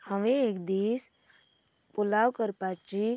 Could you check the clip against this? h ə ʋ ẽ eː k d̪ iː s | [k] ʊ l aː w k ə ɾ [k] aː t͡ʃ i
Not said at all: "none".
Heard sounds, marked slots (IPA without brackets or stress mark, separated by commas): p, p